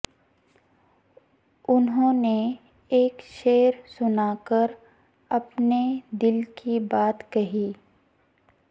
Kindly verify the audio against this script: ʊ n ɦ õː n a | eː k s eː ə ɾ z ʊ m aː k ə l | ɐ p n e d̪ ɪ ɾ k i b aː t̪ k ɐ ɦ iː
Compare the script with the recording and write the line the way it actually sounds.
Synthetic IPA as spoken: ʊ n ɦ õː n e | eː k ʃ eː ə ɾ s ʊ n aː k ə ɾ | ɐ p n e d̪ ɪ l k i b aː t̪ k ɐ ɦ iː